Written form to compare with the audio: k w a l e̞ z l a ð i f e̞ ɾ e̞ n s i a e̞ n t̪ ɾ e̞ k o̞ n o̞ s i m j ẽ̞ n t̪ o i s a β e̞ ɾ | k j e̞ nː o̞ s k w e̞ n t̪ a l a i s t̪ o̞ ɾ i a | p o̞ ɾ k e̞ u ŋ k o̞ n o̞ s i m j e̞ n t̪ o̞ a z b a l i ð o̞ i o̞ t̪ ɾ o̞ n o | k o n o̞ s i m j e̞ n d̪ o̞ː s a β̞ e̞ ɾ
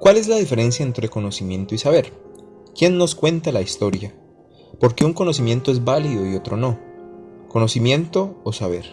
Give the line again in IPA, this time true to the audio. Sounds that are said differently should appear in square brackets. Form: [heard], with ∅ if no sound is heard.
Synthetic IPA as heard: k w a l e̞ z l a ð i f e̞ ɾ e̞ n s [j] a e̞ n t̪ ɾ e̞ k o̞ n o̞ s i m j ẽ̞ n t̪ o i s a β e̞ ɾ | k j e̞ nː o̞ s k w e̞ n t̪ a l a i s t̪ o̞ ɾ [j] a | p o̞ ɾ k e̞ u ŋ k o̞ n o̞ s i m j e̞ n t̪ o̞ [e] z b a l i ð o̞ i o̞ t̪ ɾ o̞ n o | k o n o̞ s i m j e̞ n [t̪] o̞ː s a β̞ e̞ ɾ